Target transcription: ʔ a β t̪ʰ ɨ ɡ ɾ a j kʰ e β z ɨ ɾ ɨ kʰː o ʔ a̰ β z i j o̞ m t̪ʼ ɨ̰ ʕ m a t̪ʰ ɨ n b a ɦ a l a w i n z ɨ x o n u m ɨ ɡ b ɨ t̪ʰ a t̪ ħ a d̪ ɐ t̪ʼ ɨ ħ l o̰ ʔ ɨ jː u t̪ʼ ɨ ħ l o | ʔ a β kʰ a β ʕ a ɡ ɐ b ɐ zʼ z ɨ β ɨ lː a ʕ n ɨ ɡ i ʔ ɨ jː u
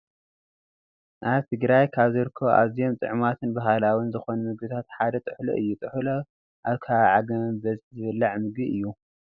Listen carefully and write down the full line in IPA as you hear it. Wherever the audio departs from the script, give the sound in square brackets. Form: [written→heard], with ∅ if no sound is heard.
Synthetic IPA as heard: ʔ a β t̪ʰ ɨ ɡ ɾ a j kʰ [e→a] β z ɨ ɾ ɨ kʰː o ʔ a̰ β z i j o̞ m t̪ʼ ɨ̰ ʕ m a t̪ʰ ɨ n b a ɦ a l a w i n z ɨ x o n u m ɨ ɡ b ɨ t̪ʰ a t̪ ħ a d̪ ɐ t̪ʼ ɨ ħ l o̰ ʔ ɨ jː u t̪ʼ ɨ ħ l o | ʔ a β kʰ a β ʕ a ɡ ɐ b ɐ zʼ z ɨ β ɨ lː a ʕ [n→m] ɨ ɡ i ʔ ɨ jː u

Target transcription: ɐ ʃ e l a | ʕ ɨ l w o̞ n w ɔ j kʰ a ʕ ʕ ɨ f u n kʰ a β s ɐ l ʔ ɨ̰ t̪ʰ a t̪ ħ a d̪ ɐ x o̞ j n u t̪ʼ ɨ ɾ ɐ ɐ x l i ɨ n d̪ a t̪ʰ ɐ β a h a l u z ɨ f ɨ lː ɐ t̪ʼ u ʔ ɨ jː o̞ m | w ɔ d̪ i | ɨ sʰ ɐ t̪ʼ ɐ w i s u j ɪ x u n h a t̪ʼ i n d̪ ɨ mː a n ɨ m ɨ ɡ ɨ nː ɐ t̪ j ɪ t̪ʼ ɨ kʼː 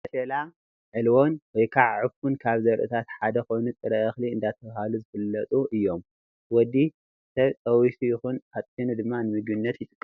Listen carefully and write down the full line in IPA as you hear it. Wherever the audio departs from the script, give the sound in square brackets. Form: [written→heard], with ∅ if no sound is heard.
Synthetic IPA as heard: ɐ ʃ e l a | ʕ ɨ l w o̞ n w ɔ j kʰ a ʕ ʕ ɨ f u n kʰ a β [s→z] ɐ [l→ɾ] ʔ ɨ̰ t̪ʰ a t̪ ħ a d̪ ɐ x o̞ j n u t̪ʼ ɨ ɾ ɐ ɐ x l i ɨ n d̪ a t̪ʰ ɐ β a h a l u z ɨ f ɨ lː ɐ t̪ʼ u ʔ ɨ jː o̞ m | w ɔ d̪ i | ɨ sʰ ɐ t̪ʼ ɐ w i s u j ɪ x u n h a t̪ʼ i n d̪ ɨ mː a n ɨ m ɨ ɡ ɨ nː ɐ t̪ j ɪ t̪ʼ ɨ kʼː

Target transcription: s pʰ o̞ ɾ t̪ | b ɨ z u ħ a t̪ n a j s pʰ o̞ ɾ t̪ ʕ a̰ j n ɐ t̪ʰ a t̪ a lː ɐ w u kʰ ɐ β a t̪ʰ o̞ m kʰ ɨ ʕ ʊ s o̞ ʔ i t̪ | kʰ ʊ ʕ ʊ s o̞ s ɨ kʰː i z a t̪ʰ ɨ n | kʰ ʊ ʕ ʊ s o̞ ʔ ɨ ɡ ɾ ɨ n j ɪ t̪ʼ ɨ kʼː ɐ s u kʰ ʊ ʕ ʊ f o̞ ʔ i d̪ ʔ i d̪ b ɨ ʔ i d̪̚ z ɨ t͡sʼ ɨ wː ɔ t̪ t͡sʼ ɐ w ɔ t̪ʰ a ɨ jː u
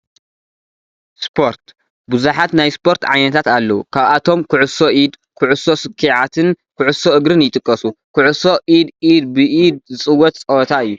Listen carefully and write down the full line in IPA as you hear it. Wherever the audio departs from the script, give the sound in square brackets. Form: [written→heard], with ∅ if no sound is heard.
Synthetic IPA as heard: s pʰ o̞ ɾ t̪ | b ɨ z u ħ a t̪ n a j s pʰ o̞ ɾ t̪ ʕ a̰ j n ɐ t̪ʰ a t̪ a lː ɐ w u kʰ [ɐ→a] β a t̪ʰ o̞ m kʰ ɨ ʕ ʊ s o̞ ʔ i [t̪→d̪] | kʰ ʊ ʕ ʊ s o̞ s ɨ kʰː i [z→ʕ] a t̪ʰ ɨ n | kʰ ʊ ʕ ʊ s o̞ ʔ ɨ ɡ ɾ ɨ n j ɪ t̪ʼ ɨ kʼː ɐ s u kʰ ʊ ʕ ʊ [f→s] o̞ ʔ i d̪ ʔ i d̪ b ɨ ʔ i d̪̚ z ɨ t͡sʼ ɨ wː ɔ t̪ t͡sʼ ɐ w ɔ t̪ʰ a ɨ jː u

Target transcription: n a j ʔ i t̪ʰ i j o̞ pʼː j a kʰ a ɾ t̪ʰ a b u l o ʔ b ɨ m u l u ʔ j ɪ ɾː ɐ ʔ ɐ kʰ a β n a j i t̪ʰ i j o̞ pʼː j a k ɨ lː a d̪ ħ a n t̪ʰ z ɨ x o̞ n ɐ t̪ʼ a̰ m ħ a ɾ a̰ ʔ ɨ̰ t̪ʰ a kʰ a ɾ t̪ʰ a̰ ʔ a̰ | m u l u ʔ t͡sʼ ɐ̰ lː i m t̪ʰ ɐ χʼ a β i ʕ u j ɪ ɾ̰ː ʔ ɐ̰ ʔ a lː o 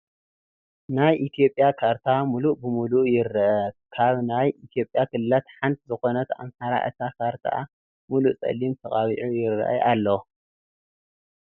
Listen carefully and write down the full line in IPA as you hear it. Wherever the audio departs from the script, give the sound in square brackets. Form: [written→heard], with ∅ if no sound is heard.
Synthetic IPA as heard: n a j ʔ i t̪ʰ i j o̞ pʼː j a kʰ a ɾ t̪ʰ a [b→m] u l [o→u] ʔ b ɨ m u l u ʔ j ɪ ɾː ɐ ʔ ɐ kʰ a β n a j i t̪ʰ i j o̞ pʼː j a k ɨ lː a [d̪→t̪] ħ a n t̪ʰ z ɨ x o̞ n ɐ [t̪ʼ→t̪] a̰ m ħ a ɾ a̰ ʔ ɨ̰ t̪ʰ a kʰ a ɾ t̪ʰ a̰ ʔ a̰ | m u l u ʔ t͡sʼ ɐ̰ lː i m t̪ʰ ɐ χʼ a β i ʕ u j ɪ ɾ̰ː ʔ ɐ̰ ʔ a lː o

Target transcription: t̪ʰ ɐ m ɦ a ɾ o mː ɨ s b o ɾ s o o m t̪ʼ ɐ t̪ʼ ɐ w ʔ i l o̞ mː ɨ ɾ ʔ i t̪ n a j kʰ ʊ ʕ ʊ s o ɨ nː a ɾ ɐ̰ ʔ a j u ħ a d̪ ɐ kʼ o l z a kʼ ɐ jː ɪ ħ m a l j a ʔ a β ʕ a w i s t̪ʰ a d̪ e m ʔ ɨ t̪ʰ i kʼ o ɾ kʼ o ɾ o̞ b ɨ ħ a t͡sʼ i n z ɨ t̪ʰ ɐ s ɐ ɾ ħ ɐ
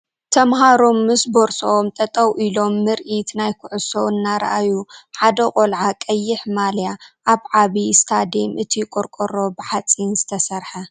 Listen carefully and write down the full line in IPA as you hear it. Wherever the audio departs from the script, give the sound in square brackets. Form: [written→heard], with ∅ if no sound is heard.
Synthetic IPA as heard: t̪ʰ ɐ m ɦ a ɾ o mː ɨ s b o ɾ s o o m t̪ʼ ɐ t̪ʼ ɐ w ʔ i l o̞ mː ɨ ɾ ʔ i t̪ n a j kʰ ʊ ʕ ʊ s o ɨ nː a ɾ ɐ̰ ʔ a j u ħ a d̪ ɐ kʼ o l [z→ʕ] a kʼ ɐ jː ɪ ħ m a l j a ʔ a β ʕ a [w→β] i s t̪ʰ a d̪ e m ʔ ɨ t̪ʰ i kʼ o ɾ kʼ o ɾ o̞ b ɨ ħ a t͡sʼ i n z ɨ t̪ʰ ɐ s ɐ ɾ ħ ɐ

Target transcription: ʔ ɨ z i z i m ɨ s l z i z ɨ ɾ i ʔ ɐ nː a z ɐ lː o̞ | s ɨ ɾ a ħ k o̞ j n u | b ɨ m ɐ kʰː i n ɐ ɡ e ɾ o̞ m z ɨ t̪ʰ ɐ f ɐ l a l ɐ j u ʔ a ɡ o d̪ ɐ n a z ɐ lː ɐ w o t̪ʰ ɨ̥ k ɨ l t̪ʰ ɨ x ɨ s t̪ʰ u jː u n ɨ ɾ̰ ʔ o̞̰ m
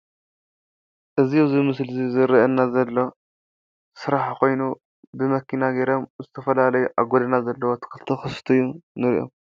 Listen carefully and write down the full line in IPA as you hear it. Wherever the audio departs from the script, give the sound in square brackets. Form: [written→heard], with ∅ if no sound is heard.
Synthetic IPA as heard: ʔ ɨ z i z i m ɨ s l z i z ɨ ɾ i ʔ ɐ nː a z ɐ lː o̞ | s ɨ ɾ a ħ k o̞ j n u | b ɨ m ɐ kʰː i n [ɐ→a] ɡ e ɾ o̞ m z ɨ t̪ʰ ɐ f ɐ l a l ɐ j u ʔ a ɡ o d̪ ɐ n a z ɐ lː ɐ w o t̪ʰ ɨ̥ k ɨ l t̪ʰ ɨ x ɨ s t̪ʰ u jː u n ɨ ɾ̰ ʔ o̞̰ m

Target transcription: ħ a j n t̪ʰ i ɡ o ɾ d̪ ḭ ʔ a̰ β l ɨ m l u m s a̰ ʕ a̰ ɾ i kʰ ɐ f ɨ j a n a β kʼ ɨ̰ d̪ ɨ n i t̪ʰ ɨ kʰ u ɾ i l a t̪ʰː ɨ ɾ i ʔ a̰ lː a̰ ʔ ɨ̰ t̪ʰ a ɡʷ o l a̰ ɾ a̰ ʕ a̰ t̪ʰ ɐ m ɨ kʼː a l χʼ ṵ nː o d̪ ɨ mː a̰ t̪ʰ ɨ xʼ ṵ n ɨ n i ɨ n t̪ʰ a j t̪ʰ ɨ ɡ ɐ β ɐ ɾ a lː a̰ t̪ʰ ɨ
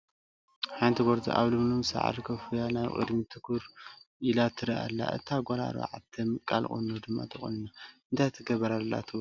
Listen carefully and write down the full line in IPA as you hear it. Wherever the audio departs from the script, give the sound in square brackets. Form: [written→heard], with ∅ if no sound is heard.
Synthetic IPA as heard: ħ a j n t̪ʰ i ɡ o ɾ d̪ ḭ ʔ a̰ β l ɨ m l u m s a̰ ʕ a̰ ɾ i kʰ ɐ f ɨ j a n a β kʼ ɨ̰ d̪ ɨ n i t̪ʰ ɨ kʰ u ɾ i l a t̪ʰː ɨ ɾ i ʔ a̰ lː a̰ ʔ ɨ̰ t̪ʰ a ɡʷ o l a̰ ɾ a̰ ʕ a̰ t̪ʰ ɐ m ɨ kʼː a l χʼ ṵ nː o d̪ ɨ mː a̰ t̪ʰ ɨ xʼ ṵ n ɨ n [i→a] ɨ n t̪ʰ a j t̪ʰ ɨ ɡ ɐ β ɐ ɾ a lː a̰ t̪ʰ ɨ

